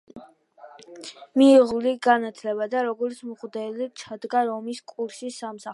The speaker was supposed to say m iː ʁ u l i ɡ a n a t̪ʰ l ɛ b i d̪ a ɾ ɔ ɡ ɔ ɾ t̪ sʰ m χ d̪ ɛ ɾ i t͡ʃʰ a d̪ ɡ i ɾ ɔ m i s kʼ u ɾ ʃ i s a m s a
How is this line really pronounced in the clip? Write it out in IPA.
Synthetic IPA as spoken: m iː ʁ u l i ɡ a n a t̪ʰ l ɛ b a d̪ a ɾ ɔ ɡ ɔ ɾ t̪ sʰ m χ d̪ ɛ l i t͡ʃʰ a d̪ ɡ a ɾ ɔ m i s kʼ u ɾ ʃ i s a m s a

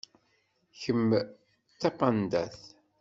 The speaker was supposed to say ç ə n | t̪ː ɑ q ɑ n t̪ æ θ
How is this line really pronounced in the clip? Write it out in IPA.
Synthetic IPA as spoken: ç ə m | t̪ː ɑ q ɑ n d̪ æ θ

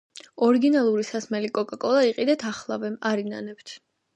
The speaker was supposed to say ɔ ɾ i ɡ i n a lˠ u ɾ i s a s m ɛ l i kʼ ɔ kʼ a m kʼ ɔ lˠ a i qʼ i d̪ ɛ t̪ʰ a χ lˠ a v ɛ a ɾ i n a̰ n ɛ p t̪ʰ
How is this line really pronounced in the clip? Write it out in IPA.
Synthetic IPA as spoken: ɔ ɾ i ɡ i n a lˠ u ɾ i s a s m ɛ l i kʼ ɔ kʼ a kʼ ɔ lˠ a i qʼ i d̪ ɛ t̪ʰ a χ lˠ a v ɛ a ɾ i n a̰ n ɛ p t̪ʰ

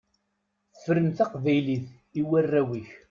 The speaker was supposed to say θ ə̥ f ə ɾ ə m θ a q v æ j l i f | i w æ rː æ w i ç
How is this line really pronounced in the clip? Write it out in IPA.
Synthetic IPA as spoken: θ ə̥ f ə ɾ ə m θ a q v æ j l i θ | i w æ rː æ w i ç

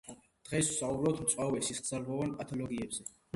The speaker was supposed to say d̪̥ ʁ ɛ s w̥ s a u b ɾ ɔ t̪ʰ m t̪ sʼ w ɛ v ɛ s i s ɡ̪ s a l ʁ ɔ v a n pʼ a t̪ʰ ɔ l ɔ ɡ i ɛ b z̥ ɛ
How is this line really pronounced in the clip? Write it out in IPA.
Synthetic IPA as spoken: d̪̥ ʁ ɛ s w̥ s a u b ɾ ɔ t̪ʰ m t̪ sʼ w a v ɛ s i s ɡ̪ z a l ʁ ɔ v a n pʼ a t̪ʰ ɔ l ɔ ɡ i ɛ b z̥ ɛ

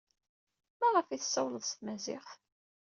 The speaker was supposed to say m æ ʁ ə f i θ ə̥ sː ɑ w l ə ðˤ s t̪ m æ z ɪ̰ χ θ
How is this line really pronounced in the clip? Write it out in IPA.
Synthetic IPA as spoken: m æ ʁ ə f i θ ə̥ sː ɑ w l ə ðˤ s t̪ m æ z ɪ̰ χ θ

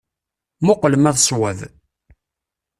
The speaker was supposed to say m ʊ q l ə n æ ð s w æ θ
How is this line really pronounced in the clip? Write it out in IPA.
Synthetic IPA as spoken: m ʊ q l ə m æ ð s w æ ð

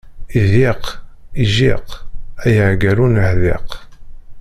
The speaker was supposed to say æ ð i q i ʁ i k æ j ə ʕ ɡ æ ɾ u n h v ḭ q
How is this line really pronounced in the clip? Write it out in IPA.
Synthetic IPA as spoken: i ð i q i ʒ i q æ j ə ʕ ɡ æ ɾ u n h ð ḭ q

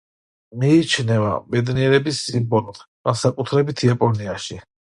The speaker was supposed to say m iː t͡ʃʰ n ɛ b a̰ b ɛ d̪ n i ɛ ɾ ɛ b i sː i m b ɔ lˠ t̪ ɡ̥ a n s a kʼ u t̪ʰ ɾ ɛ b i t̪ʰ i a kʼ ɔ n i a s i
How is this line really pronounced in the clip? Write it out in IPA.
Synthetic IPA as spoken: m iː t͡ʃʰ n ɛ v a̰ b ɛ d̪ n i ɛ ɾ ɛ b i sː i m b ɔ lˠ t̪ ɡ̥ a n s a kʼ u t̪ʰ ɾ ɛ b i t̪ʰ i a pʼ ɔ n i a ʃ i

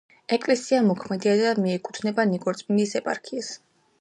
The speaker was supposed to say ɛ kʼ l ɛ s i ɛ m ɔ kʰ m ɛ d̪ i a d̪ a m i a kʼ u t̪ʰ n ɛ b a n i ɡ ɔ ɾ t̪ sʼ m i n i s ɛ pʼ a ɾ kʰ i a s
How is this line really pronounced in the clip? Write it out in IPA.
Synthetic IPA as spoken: ɛ kʼ l ɛ s i a m ɔ kʰ m ɛ d̪ i a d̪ a m i ɛ kʼ u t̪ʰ n ɛ b a n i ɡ ɔ ɾ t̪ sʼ m i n i s ɛ pʼ a ɾ kʰ i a s

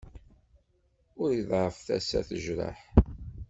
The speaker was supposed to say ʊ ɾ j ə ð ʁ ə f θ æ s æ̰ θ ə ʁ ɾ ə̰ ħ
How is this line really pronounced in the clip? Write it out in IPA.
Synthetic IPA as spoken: ʊ ɾ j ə ð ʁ ə f θ æ s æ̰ θ ə ʒ ɾ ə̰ ħ

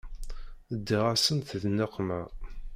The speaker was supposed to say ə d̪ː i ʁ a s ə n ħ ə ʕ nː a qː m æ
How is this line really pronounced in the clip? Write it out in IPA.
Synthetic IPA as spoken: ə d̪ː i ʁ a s ə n θ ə ð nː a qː m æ

